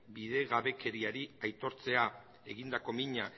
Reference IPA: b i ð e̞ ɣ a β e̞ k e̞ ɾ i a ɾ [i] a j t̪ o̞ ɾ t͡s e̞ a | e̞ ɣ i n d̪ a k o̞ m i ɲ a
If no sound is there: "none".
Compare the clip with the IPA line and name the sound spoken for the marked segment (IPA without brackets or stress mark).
i